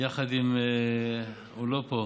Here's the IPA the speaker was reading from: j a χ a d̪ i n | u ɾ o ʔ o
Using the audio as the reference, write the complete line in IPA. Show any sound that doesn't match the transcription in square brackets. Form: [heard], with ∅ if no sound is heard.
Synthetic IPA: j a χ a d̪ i [m] | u [l] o [p] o